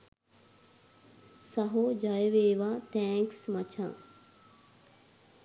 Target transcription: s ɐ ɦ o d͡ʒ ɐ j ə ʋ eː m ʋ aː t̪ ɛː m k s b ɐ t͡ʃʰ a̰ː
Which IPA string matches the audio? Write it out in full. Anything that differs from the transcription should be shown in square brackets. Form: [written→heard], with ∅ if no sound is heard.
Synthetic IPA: s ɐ ɦ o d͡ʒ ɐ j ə ʋ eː [m→∅] ʋ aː t̪ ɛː [m→ŋ] k s [b→m] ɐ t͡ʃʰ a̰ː